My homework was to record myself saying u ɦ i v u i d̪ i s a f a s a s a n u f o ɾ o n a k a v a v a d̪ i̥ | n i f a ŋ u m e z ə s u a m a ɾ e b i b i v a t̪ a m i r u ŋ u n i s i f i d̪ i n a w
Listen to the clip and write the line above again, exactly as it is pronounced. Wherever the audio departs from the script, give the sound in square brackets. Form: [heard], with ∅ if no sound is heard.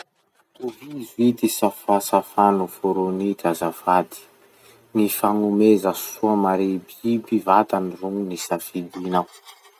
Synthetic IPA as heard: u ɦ i [z] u i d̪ i s a f a s a [f] a n u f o ɾ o n [i] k a [z] a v a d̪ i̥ | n i f a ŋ u m e z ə s u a m a ɾ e b i b i v a t̪ a [n] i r u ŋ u n i s [a] f i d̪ i n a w